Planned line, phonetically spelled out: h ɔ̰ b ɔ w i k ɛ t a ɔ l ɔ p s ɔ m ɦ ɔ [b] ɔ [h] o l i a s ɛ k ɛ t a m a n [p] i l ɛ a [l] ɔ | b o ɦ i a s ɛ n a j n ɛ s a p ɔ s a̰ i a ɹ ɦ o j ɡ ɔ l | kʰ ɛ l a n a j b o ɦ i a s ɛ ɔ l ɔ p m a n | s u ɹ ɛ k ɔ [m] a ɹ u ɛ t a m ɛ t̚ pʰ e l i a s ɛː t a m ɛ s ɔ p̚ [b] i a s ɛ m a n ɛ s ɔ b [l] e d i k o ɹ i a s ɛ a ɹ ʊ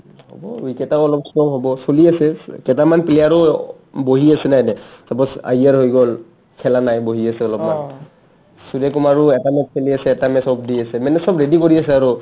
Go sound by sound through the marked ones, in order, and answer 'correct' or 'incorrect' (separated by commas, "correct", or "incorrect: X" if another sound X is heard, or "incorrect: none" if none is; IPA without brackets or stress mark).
correct, incorrect: s, correct, incorrect: ɹ, correct, incorrect: d, incorrect: ɹ